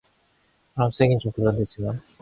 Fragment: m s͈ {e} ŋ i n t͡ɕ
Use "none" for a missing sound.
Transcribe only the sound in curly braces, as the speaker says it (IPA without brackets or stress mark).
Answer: e